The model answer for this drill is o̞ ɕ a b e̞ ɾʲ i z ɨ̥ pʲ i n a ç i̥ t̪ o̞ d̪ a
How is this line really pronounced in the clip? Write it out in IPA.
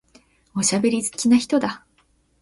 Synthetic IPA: o̞ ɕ a b e̞ ɾʲ i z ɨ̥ kʲ i n a ç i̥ t̪ o̞ d̪ a

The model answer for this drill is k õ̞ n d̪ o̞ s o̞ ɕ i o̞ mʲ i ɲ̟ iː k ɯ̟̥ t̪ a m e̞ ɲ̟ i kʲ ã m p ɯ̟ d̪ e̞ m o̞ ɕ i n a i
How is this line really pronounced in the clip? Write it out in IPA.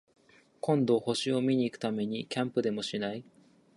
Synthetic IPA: k õ̞ n d̪ o̞ h o̞ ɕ i o̞ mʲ i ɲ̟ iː k ɯ̟̥ t̪ a m e̞ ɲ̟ i kʲ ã m p ɯ̟ d̪ e̞ m o̞ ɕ i n a i

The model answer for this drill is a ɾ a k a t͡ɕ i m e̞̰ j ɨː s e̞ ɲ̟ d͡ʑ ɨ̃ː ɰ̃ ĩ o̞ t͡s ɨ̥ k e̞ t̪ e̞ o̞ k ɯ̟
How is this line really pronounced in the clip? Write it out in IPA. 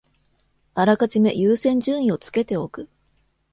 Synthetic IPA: a ɾ a k a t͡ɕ i m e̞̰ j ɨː s ẽ̞ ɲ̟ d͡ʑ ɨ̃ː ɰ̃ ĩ o̞ t͡s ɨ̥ k e̞ t̪ e̞ o̞ k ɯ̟

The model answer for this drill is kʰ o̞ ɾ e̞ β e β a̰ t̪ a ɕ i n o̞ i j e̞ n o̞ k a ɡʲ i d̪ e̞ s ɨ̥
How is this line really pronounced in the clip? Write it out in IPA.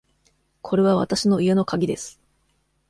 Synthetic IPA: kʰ o̞ ɾ e̞ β a β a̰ t̪ a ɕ i n o̞ i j e̞ n o̞ k a ɡʲ i d̪ e̞ s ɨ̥

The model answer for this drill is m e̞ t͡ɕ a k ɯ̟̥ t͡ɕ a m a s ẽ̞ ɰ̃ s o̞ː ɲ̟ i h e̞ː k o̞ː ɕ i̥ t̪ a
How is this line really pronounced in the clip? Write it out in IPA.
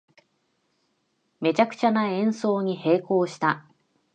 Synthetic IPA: m e̞ t͡ɕ a k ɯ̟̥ t͡ɕ a n a ẽ̞ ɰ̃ s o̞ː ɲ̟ i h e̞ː k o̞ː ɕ i̥ t̪ a

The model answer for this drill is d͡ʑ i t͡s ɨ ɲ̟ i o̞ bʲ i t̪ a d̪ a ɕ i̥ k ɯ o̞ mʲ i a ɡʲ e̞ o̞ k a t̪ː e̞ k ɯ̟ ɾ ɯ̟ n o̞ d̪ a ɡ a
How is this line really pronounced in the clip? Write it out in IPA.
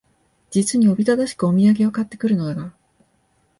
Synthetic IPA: d͡ʑ i t͡s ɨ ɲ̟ i o̞ bʲ i t̪ a d̪ a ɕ i̥ k ɯ o̞ mʲ i a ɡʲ e̞ o̞ k a t̪ː e̞ k ɯ̟ ɾ ɯ̟ n o̞ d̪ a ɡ a

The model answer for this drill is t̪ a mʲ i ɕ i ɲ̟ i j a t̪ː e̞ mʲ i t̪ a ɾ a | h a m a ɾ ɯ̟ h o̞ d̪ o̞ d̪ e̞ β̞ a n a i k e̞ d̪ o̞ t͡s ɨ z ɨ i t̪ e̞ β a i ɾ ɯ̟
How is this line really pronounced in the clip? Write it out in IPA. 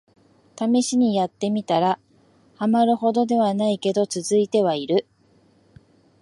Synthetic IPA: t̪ a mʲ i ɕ i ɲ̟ i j a t̪ː e̞ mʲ i t̪ a ɾ a | h a m a ɾ ɯ̟ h o̞ d̪ o̞ d̪ e̞ β̞ a n a i k e̞ d̪ o̞ t͡s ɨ z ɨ i t̪ e̞ β a i ɾ ɯ̟

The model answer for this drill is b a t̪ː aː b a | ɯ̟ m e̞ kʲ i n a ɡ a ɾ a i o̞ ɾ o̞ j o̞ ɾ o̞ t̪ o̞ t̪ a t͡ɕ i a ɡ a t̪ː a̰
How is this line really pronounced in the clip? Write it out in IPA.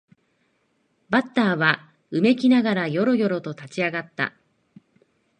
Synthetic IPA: b a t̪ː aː β a | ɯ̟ m e̞ kʲ i n a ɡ a ɾ a j o̞ ɾ o̞ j o̞ ɾ o̞ t̪ o̞ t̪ a t͡ɕ i a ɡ a t̪ː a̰

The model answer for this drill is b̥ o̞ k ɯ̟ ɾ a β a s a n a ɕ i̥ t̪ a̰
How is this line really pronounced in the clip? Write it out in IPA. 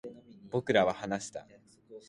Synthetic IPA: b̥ o̞ k ɯ̟ ɾ a β a h a n a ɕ i̥ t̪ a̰

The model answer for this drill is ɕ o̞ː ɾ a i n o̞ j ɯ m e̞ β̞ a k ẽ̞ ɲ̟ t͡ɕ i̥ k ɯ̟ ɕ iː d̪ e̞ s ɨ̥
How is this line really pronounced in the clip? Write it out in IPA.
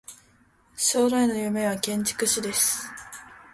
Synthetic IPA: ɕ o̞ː ɾ a i n o̞ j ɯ m e̞ β̞ a k ẽ̞ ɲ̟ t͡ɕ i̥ k ɯ̟ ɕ i d̪ e̞ s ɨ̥

